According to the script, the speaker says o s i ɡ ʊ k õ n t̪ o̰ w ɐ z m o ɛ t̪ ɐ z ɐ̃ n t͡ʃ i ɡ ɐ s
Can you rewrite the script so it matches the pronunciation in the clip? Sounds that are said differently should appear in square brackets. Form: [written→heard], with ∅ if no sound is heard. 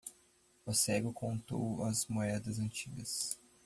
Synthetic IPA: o s [i→ɛ] ɡ ʊ k õ n t̪ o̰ w ɐ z m o ɛ [t̪→d̪] ɐ z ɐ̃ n t͡ʃ i ɡ ɐ s